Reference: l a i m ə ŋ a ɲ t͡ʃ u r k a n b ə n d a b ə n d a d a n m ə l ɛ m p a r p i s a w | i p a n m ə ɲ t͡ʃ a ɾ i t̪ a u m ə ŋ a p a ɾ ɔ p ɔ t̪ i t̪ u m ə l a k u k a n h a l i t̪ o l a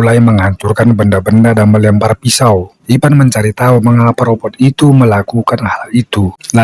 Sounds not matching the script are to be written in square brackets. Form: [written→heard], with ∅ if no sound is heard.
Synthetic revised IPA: l a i m ə ŋ a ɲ t͡ʃ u r k a n b ə n d a b ə n d a d a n m ə l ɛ m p a r p i s a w | i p a n m ə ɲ t͡ʃ a ɾ i t̪ a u m ə ŋ a p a ɾ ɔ p ɔ t̪ i t̪ u m ə l a k u k a n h a l i t̪ [o→u] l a